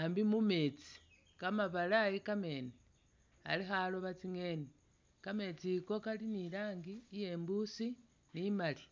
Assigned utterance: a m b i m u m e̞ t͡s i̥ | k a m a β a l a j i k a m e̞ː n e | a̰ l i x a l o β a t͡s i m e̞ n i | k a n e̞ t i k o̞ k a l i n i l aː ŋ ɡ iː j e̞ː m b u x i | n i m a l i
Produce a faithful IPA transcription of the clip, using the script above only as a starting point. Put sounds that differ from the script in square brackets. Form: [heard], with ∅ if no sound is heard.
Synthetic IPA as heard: a m b i m u m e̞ t͡s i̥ | k a m a β a l a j i k a m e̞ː n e | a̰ l i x a l o β a t͡s i [ŋ] e̞ n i | k a [m] e̞ [t͡s] i k o̞ k a l i n i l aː ŋ ɡ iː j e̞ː m b u [s] i | n i m a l i